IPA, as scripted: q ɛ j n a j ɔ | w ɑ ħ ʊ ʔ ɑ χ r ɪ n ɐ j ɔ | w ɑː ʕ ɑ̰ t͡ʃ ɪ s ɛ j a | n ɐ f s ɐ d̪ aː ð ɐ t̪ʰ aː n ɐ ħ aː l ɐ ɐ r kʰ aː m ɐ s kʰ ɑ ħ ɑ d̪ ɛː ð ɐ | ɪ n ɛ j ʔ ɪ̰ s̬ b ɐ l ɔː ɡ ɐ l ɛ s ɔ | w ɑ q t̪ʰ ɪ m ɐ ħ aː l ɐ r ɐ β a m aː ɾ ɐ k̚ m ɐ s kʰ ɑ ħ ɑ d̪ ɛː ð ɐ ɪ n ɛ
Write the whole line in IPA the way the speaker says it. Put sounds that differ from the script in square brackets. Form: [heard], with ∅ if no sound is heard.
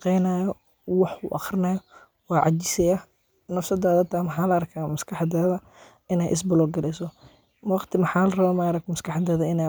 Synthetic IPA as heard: q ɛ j n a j ɔ | w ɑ ħ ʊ ʔ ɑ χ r ɪ n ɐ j ɔ | w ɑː ʕ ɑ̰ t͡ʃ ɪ s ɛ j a | n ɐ f s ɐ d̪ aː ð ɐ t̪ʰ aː [m] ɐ ħ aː l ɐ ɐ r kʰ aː m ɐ s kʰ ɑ ħ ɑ d̪ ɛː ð ɐ | ɪ n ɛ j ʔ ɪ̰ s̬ b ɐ l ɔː ɡ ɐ l ɛ s ɔ | w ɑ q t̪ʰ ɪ m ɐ ħ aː l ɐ r ɐ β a m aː ɾ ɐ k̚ m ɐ s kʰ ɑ ħ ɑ d̪ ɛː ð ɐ ɪ n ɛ